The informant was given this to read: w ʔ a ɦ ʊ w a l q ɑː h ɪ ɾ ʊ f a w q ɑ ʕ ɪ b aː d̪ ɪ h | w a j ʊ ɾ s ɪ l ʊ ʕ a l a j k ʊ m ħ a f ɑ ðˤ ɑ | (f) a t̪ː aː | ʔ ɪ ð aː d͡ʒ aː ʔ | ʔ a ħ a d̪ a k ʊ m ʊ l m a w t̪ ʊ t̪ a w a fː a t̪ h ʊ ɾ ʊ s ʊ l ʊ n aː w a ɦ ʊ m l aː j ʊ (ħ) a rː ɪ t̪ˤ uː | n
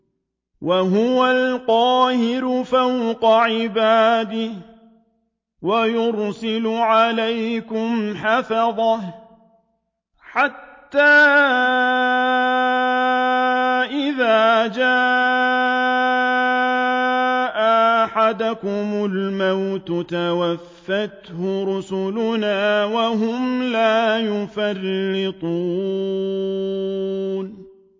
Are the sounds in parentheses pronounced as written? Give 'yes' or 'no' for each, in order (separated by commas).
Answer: no, no